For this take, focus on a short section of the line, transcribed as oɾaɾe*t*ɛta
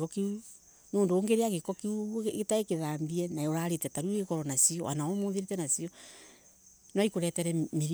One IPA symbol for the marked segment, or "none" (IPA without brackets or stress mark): t